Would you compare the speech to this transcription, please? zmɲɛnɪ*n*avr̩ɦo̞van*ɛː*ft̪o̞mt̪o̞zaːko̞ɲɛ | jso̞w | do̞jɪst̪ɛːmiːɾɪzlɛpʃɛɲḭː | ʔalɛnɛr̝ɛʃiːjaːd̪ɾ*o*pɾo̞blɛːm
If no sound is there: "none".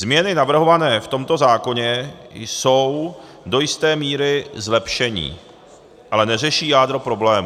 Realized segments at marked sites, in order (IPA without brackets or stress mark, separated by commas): n, ɛː, o